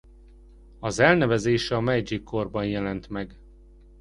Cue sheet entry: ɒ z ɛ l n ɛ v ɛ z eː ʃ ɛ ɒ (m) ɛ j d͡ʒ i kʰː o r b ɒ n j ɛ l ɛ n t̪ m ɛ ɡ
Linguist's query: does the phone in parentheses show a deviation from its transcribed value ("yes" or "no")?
no